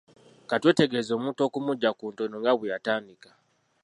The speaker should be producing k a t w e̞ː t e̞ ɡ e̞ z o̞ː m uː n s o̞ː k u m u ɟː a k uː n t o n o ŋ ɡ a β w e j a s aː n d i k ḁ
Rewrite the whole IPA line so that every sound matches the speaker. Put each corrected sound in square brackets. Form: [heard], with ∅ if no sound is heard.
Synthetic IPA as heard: k a t w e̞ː t e̞ ɡ e̞ z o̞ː m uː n [t] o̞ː k u m u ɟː a k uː n t o n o ŋ ɡ a β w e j a [t] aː n d i k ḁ